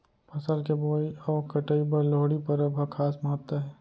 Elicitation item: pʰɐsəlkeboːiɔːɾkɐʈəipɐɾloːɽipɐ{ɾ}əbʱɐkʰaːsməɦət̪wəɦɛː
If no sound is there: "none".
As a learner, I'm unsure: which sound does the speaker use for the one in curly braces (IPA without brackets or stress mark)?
ɾ